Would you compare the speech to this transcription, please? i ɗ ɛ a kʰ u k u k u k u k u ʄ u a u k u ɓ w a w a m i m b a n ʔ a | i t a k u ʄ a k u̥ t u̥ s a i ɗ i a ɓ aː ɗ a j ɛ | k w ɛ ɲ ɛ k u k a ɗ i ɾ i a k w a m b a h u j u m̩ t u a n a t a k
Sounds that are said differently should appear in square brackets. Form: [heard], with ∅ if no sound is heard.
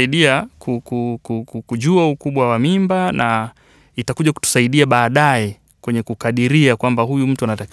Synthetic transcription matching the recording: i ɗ [i] a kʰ u k u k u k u k u ʄ u a u k u ɓ w a w a m i m b a n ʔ a | i t a k u ʄ a k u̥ t u̥ s a i ɗ i a ɓ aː ɗ a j ɛ | k w ɛ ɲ ɛ k u k a ɗ i ɾ i a k w a m b a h u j u m̩ t u a n a t a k